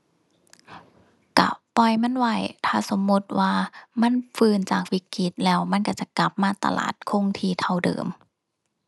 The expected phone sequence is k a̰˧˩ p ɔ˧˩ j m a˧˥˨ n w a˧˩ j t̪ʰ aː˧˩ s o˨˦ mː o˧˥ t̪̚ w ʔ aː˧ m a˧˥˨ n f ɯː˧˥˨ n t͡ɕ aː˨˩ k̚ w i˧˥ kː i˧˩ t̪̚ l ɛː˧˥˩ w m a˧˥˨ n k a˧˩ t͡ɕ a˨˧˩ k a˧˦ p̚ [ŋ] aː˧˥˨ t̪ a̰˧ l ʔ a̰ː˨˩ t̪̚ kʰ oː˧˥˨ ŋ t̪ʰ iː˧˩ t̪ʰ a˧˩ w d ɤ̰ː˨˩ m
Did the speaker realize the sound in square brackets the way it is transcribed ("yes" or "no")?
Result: no